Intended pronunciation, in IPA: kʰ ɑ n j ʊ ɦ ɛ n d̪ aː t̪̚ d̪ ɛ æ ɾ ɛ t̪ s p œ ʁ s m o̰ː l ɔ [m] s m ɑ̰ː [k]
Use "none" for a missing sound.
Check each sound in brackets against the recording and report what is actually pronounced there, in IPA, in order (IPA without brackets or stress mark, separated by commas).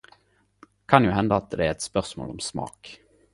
m, k